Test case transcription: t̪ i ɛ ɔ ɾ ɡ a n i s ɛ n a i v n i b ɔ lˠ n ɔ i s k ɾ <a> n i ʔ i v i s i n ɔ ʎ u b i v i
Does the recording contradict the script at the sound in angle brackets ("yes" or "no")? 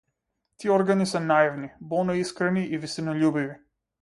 yes